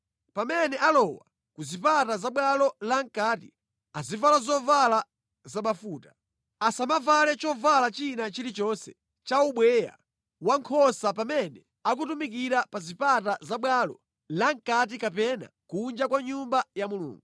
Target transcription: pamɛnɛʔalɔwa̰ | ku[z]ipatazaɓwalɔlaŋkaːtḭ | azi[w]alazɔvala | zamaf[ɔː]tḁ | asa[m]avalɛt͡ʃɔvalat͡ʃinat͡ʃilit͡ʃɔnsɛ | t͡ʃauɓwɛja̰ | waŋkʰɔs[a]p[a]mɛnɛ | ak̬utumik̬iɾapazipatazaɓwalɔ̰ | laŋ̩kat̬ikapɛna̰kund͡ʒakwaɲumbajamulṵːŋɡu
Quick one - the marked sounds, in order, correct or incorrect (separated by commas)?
correct, incorrect, incorrect, correct, correct, correct